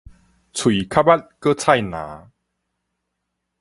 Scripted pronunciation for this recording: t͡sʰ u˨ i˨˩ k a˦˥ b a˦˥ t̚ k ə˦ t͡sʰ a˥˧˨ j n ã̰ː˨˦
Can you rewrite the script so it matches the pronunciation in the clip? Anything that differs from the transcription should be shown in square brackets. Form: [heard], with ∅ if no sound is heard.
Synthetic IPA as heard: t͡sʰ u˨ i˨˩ [kʰ] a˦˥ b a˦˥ t̚ k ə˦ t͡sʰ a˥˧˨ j n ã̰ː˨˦